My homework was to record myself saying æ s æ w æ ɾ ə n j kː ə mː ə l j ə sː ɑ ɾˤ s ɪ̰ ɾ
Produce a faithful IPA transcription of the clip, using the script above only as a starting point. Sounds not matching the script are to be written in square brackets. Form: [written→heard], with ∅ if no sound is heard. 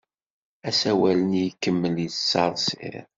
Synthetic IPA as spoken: æ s æ w æ [ɾ→l] ə n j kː ə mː ə l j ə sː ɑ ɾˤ s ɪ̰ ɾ